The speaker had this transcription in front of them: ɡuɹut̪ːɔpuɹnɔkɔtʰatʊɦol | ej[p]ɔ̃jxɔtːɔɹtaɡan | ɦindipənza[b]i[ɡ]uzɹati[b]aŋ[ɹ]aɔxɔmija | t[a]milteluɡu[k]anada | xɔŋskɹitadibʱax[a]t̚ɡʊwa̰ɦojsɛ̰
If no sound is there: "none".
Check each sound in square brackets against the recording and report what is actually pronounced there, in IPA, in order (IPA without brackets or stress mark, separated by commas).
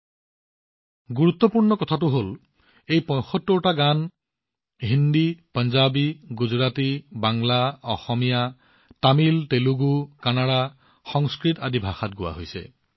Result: p, b, ɡ, b, l, a, k, a